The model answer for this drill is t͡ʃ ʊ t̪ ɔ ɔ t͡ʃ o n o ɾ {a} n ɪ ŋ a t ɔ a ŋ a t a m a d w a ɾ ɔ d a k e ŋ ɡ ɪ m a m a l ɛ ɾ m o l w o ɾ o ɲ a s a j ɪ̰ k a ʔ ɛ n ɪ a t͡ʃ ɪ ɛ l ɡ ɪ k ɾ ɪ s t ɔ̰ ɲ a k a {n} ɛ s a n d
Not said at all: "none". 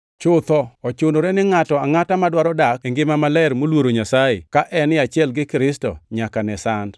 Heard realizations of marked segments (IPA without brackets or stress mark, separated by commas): ɛ, n